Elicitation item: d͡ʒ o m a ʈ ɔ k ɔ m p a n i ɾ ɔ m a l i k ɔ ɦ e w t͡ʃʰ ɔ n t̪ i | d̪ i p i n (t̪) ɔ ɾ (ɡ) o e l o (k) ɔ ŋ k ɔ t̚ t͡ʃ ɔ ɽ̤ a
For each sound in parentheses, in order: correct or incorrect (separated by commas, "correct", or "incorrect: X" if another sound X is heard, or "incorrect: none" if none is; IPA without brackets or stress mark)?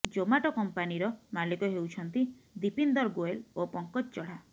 incorrect: d̪, correct, incorrect: p